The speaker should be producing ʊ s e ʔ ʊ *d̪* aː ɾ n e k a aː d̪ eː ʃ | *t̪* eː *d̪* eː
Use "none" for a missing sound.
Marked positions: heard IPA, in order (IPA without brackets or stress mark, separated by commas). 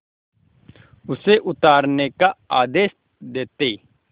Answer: t̪, d̪, t̪